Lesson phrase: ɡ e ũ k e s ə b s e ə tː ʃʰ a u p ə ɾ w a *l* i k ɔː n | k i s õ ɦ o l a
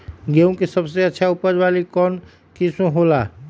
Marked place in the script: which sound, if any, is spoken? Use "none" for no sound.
l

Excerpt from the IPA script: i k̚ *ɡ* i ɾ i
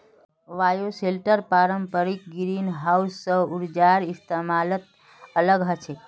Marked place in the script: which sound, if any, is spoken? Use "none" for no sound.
ɡ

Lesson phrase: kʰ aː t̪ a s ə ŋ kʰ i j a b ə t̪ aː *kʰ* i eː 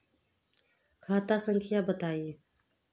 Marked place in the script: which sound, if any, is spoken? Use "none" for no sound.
none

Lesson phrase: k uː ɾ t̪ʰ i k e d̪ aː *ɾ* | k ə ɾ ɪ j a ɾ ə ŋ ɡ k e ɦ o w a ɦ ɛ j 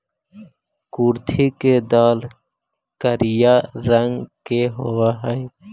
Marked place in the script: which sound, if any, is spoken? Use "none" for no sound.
l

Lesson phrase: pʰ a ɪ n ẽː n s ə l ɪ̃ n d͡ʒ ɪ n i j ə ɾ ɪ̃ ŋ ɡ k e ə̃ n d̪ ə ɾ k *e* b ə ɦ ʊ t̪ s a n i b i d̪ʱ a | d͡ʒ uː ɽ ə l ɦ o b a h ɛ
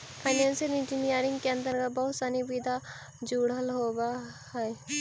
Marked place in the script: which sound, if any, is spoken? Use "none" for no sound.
a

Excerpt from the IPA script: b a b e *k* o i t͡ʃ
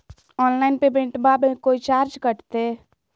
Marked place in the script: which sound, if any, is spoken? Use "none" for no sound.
k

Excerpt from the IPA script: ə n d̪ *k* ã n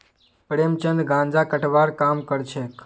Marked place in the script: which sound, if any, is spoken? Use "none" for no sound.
ɡ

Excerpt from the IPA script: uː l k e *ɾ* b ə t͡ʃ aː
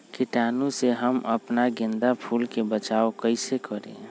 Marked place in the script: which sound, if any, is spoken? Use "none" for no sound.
none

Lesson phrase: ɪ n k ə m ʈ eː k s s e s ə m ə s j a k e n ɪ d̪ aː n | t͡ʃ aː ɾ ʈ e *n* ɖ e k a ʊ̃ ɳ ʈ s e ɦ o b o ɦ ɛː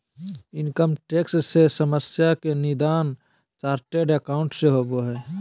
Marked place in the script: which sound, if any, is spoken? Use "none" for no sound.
none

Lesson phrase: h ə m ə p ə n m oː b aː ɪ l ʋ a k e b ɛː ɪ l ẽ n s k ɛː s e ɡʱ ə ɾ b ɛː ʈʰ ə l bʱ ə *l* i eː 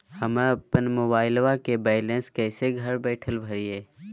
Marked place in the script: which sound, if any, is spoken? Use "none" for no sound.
ɾ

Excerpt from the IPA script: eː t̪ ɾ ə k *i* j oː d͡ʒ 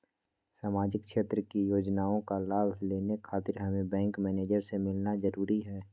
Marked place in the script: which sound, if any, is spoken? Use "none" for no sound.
i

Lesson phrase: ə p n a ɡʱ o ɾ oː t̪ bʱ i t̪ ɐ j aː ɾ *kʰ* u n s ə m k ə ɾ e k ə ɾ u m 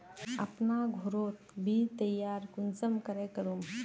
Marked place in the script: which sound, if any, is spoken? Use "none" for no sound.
k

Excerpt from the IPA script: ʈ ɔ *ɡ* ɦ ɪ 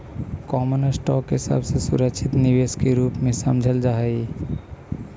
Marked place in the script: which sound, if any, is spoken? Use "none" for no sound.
k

